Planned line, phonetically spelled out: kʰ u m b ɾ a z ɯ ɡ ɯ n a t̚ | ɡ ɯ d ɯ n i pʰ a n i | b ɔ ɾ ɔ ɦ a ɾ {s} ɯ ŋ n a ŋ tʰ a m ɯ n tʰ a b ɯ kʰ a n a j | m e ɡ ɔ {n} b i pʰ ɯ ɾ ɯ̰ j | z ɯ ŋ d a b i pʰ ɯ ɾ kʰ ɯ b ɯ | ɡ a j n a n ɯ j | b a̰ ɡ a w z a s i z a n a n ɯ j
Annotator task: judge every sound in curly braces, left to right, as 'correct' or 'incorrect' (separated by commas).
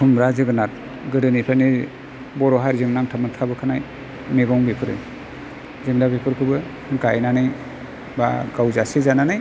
incorrect, incorrect